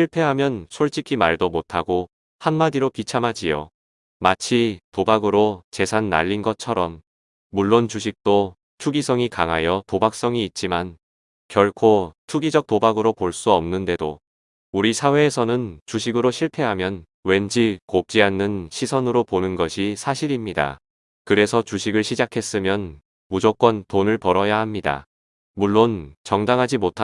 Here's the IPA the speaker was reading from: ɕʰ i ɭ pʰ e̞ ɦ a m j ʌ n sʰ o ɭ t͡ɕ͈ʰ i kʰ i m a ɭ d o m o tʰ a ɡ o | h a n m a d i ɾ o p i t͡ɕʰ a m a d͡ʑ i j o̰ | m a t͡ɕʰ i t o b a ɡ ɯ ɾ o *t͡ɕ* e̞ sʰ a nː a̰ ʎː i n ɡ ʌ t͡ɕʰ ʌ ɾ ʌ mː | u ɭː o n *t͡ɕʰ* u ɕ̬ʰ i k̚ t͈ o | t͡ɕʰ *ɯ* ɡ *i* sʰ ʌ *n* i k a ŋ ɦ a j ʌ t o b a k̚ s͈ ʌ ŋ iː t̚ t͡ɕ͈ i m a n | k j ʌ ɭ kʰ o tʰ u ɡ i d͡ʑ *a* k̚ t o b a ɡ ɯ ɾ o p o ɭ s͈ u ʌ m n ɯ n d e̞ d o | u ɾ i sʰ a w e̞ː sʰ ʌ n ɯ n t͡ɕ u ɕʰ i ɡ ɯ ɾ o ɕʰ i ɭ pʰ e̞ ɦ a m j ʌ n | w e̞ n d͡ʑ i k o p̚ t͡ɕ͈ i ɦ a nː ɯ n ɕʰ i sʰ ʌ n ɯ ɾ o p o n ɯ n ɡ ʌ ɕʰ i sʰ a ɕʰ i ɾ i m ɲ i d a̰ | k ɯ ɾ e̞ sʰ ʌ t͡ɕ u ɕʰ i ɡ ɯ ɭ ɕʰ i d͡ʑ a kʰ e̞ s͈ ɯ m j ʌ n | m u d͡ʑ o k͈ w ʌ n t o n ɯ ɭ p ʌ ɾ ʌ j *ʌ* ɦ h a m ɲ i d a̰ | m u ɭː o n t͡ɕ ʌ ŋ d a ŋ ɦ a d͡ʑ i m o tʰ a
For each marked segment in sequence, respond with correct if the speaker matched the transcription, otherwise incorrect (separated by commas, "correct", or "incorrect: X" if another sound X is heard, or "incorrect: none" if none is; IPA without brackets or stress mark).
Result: correct, incorrect: t͡ɕ, incorrect: u, correct, incorrect: ŋ, incorrect: ʌ, incorrect: a